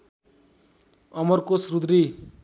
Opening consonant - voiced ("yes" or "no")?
yes